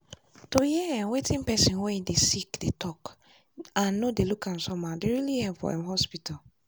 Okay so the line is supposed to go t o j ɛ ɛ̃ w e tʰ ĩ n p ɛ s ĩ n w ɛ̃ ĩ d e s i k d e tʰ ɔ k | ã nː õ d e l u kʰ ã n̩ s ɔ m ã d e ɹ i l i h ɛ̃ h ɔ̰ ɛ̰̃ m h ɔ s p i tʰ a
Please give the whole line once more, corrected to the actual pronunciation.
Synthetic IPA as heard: t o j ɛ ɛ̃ w e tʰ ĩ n p ɛ s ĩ n w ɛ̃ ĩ d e s i k d e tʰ ɔ k | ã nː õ d e l u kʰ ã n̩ s ɔ m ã d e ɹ i l i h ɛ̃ f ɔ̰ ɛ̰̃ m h ɔ s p i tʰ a